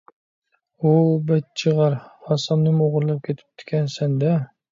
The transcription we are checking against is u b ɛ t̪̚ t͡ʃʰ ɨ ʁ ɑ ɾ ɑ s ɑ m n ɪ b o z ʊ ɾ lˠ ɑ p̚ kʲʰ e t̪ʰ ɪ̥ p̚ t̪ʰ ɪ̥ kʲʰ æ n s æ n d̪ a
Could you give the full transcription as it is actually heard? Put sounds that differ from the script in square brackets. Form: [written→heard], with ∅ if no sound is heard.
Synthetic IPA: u b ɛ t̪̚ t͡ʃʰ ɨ ʁ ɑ ɾ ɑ s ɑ m n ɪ [b→m] o [z→ʁ] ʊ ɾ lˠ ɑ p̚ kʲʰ e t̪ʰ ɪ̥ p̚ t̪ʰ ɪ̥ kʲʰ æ n s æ n d̪ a